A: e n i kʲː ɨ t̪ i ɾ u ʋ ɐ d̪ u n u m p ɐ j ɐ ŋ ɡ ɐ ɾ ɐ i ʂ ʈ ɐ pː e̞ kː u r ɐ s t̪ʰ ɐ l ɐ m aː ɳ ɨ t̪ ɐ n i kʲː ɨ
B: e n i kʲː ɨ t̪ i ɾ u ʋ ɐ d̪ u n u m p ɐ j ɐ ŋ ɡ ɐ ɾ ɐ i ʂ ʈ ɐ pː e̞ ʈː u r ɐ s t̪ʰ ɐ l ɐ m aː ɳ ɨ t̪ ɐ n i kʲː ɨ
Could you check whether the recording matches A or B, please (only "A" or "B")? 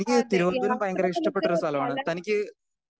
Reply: B